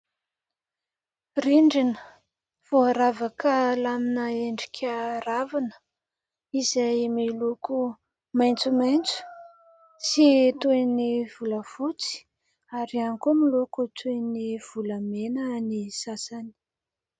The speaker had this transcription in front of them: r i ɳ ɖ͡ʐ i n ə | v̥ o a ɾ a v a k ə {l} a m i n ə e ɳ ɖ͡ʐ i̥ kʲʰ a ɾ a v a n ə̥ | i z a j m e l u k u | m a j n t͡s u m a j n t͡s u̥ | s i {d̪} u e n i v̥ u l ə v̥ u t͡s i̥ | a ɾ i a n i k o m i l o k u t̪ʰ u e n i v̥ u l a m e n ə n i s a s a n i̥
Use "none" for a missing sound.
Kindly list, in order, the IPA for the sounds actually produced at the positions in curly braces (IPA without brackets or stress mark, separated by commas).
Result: l, t̪